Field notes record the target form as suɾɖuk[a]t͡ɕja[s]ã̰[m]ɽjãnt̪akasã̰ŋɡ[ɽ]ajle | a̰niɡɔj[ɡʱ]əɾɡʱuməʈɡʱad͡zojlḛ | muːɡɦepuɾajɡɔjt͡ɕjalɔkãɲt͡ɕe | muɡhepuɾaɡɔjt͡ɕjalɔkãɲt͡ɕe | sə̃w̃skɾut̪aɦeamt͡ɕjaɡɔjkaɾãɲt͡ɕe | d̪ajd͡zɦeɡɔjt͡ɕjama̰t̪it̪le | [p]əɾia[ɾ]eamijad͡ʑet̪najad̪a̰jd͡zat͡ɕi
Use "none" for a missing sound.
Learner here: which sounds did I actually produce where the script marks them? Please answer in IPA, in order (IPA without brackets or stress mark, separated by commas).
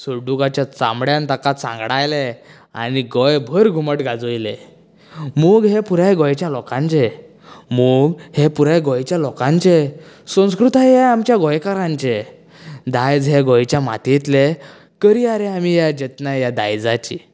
a, t͡s, m, ɽ, bʱ, k, ɾ